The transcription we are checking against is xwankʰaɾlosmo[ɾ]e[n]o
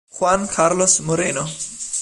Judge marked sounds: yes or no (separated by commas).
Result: yes, yes